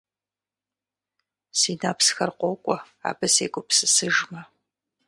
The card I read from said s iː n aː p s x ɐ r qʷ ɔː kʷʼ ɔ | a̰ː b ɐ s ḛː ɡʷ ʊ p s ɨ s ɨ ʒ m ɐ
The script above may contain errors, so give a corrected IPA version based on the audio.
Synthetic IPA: s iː n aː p s x ɐ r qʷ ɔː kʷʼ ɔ | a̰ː b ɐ s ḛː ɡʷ ʊ p s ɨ s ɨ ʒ m ɐ